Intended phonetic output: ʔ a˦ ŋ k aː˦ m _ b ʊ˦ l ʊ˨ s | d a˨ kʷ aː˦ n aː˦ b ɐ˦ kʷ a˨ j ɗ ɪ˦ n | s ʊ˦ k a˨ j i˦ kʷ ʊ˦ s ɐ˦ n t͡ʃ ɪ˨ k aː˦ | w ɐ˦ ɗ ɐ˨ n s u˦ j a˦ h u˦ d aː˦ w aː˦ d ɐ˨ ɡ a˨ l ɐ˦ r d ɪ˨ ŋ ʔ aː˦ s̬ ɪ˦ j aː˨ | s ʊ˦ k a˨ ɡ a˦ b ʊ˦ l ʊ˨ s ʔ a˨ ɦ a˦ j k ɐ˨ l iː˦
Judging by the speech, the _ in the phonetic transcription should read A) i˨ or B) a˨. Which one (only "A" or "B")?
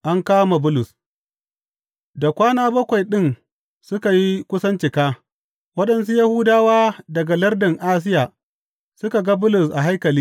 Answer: B